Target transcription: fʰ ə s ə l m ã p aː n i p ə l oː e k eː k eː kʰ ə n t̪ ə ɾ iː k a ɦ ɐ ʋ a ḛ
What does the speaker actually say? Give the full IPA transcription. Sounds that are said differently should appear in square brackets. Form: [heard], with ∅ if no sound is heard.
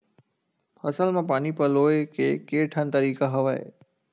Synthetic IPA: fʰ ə s ə l m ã p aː n i p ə l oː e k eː k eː [ʈʰ] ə n t̪ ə ɾ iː k a ɦ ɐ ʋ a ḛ